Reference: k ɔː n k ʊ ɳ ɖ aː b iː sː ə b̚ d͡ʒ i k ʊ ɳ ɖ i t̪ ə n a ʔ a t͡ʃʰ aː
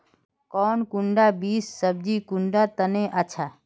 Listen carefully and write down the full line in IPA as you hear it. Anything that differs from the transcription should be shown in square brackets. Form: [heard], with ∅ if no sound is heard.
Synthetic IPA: k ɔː n k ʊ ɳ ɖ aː b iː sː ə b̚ d͡ʒ i k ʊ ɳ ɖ [a] t̪ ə n [e] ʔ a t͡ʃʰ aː